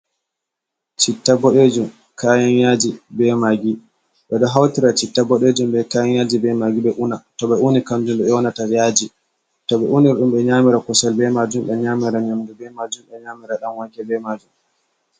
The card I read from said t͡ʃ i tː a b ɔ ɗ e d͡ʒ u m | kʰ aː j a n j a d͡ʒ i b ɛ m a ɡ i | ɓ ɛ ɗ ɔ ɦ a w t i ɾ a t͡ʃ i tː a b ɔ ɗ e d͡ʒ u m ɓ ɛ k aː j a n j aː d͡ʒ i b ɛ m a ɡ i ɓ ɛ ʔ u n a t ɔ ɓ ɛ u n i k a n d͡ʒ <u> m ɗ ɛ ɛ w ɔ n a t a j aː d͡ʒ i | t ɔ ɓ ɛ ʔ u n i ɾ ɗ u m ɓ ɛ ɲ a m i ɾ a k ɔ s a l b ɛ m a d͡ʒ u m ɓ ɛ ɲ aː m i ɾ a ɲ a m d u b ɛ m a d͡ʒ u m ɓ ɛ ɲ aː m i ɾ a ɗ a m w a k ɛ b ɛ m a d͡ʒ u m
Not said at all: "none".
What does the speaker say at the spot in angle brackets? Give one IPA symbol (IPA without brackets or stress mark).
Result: u